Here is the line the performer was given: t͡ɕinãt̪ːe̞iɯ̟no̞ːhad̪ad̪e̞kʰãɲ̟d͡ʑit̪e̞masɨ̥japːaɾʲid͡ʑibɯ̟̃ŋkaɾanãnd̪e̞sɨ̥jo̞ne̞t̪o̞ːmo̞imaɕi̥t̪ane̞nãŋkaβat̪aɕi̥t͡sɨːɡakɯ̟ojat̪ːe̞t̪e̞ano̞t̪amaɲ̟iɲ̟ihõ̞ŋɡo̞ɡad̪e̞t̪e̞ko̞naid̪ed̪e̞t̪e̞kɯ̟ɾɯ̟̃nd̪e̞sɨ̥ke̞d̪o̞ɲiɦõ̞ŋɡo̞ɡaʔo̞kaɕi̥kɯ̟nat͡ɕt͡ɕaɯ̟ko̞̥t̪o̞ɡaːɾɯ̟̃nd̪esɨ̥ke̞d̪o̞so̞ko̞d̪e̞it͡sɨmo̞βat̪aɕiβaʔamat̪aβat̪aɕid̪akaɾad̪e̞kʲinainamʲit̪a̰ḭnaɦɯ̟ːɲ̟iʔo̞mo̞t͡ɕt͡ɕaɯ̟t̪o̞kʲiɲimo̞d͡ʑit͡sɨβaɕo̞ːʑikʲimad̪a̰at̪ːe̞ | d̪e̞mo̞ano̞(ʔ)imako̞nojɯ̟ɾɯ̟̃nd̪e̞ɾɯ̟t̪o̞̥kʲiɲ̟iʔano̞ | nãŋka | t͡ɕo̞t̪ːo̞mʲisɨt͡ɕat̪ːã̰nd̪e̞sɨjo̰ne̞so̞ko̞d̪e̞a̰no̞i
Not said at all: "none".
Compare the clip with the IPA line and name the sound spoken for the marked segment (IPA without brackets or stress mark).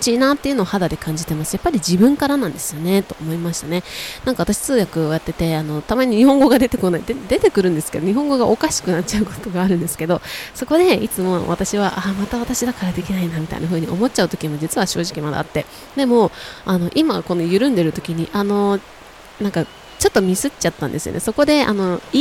ʔ